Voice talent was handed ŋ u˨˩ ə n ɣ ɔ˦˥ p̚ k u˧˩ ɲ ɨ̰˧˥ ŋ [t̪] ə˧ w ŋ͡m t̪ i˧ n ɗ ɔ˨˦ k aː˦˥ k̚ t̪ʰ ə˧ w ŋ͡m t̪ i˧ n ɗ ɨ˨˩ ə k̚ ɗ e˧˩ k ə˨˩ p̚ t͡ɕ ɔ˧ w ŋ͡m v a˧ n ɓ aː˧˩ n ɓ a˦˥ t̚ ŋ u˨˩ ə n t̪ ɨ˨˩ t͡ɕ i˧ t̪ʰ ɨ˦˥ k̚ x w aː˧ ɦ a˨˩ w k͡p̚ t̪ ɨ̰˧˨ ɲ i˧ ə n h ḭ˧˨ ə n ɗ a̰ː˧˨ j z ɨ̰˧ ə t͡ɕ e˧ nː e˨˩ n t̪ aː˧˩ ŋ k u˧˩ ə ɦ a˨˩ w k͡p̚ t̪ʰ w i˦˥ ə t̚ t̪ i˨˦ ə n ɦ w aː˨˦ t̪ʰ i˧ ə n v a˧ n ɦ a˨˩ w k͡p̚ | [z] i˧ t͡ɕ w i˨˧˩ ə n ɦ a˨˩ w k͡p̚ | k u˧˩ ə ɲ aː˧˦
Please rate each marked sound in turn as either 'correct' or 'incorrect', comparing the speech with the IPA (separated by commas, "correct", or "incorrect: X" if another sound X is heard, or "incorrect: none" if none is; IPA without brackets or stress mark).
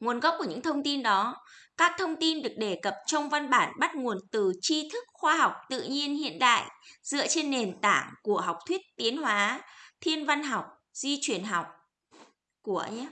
incorrect: t̪ʰ, correct